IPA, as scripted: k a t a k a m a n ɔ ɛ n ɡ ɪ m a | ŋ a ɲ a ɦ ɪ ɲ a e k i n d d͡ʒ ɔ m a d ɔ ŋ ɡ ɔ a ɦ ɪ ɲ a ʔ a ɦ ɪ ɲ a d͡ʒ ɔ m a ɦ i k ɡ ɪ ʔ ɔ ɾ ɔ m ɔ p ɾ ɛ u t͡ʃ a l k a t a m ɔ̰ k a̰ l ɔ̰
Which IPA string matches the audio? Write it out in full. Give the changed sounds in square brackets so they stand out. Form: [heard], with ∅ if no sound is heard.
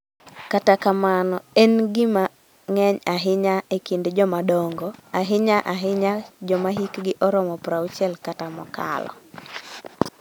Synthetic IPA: k a t a k a m a n ɔ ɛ n ɡ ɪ m a | ŋ [ɛ] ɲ a ɦ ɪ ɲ a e k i n d d͡ʒ ɔ m a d ɔ ŋ ɡ ɔ a ɦ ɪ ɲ a ʔ a ɦ ɪ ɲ a d͡ʒ ɔ m a ɦ i k ɡ ɪ ʔ ɔ ɾ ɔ m ɔ p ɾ [a] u t͡ʃ [ɛ] l k a t a m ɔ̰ k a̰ l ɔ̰